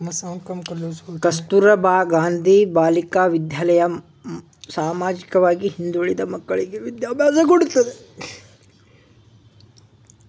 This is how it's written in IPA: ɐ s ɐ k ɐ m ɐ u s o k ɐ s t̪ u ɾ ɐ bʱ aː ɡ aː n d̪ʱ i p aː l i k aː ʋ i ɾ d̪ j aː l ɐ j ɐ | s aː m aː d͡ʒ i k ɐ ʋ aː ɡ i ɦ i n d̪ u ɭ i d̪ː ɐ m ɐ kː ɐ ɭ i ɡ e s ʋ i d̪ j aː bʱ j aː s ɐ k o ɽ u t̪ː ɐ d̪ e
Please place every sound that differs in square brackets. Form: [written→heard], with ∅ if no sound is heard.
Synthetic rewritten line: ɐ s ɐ k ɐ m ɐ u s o k ɐ s t̪ u ɾ ɐ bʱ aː ɡ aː n d̪ʱ i [p→b] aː l i k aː ʋ i [ɾ→∅] d̪ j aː l ɐ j ɐ | s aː m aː d͡ʒ i k ɐ ʋ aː ɡ i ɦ i n d̪ u ɭ i [d̪ː→d̪] ɐ m ɐ kː ɐ ɭ i ɡ e [s→∅] ʋ i d̪ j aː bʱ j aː s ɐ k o ɽ u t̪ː ɐ d̪ e